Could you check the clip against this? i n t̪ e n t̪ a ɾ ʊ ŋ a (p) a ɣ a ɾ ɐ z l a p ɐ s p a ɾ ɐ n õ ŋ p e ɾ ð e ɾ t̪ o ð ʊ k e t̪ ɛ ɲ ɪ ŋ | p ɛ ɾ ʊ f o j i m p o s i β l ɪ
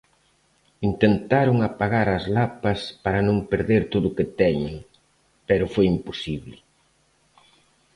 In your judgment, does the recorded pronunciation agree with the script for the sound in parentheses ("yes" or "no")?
yes